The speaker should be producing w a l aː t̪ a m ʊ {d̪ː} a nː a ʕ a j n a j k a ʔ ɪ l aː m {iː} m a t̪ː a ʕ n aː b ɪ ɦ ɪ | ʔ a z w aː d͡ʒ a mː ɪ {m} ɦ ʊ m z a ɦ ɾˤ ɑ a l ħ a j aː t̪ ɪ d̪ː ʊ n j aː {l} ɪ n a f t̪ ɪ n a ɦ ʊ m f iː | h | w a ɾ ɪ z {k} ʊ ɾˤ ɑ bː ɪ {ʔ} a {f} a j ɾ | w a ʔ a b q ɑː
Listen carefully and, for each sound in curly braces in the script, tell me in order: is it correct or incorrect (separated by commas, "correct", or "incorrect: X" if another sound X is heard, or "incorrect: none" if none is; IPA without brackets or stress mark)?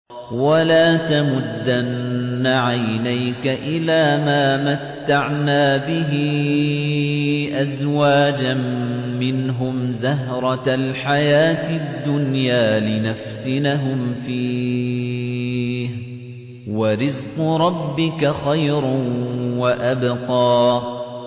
correct, incorrect: aː, incorrect: n, correct, incorrect: q, incorrect: k, incorrect: x